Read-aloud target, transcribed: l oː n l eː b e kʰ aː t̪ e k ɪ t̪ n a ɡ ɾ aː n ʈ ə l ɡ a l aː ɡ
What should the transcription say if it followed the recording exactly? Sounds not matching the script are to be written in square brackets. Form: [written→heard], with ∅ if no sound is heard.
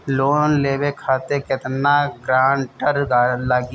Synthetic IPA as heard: l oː n l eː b e kʰ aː t̪ e k ɪ t̪ n a ɡ ɾ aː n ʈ ə [l→ɾ] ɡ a l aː ɡ